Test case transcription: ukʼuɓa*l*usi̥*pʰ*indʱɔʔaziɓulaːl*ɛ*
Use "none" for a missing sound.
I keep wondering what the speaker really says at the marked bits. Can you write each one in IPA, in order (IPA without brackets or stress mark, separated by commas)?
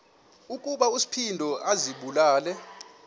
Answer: none, pʰ, ɛ